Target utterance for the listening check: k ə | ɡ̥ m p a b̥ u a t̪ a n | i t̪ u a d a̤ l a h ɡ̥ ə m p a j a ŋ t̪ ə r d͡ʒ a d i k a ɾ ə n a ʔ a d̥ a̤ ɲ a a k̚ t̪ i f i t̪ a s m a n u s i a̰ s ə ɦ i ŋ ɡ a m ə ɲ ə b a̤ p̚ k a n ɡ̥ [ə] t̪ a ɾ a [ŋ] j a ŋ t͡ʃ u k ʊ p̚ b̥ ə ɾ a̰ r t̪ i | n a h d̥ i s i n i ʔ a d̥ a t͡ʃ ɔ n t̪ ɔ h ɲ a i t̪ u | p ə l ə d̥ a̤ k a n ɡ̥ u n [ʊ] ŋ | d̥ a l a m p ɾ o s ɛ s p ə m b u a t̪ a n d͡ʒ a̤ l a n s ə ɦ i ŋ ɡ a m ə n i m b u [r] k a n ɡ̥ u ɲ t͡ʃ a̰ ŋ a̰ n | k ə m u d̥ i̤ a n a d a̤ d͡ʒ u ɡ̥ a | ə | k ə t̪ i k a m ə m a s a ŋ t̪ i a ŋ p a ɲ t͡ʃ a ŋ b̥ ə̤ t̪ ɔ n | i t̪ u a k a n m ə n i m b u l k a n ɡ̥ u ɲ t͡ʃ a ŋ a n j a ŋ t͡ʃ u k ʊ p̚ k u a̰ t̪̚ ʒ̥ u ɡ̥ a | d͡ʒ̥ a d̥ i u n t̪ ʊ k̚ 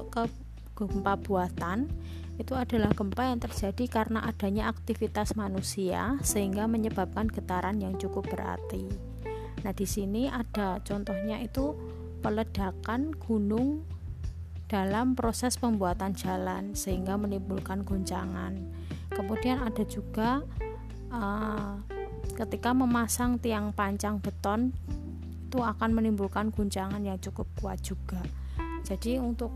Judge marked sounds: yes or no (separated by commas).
yes, no, yes, no